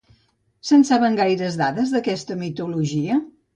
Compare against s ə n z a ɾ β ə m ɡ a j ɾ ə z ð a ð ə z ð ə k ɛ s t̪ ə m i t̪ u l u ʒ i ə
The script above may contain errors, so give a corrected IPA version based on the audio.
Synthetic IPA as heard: s ə n s a β ə ŋ ɡ a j ɾ ə z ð a ð ə z ð ə k ɛ s t̪ ə m i t̪ u l u ʒ i ə